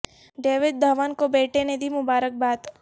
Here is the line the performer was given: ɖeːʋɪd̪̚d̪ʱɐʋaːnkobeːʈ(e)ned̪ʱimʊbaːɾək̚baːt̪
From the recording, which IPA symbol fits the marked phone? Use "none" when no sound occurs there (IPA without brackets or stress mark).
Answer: e